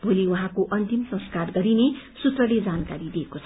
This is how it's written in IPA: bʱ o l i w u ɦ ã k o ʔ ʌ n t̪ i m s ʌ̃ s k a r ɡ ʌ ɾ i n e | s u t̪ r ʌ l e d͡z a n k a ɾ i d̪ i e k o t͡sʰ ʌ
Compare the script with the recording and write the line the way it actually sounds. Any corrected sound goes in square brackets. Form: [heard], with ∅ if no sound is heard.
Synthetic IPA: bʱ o l i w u ɦ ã k o ʔ ʌ n t̪ i m s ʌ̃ s k a r ɡ ʌ ɾ i n e | s u t̪ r ʌ l e d͡z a n k a ɾ i d̪ i e k o t͡sʰ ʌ